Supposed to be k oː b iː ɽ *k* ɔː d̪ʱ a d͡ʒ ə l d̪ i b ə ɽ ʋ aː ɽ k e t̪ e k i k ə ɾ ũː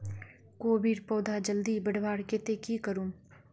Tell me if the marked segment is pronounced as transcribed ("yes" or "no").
no